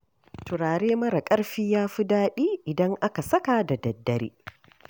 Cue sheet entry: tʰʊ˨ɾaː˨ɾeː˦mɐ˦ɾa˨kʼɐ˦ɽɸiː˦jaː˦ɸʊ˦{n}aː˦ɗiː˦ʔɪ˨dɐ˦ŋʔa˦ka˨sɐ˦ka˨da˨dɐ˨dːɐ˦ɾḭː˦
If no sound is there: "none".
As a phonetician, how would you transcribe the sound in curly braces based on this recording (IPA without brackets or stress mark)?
d